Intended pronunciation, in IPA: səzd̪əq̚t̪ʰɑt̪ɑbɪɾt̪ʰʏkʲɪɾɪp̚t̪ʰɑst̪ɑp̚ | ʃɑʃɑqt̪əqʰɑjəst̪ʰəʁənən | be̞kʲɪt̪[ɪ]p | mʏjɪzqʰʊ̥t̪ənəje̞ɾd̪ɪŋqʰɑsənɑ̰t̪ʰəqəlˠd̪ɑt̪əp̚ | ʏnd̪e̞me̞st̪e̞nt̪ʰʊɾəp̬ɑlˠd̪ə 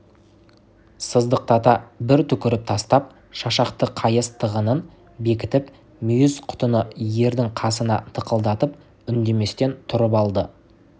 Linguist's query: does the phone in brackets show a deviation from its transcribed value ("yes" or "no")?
no